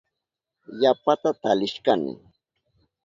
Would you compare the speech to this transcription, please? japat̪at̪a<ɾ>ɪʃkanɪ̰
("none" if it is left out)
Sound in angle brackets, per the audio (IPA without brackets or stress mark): l